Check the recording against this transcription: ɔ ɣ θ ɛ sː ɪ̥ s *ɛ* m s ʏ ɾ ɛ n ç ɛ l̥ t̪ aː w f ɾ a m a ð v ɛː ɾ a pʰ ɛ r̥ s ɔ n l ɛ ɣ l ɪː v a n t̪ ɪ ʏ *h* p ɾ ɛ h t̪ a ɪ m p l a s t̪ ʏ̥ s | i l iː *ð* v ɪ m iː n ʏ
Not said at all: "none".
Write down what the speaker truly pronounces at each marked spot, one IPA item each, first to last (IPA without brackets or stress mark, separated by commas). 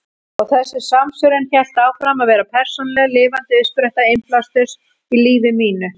a, s, none